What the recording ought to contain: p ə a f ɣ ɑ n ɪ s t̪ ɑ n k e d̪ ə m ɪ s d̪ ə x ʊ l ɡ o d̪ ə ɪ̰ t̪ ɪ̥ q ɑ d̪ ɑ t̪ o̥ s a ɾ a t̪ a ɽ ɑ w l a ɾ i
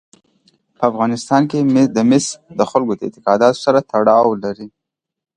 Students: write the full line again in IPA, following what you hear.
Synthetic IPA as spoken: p ə a f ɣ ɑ n ɪ s t̪ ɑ n k e d̪ ə m ɪ s d̪ ə x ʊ l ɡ o d̪ ə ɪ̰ t̪ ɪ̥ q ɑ d̪ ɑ t̪ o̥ s a ɾ a t̪ a ɽ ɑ w l a ɾ i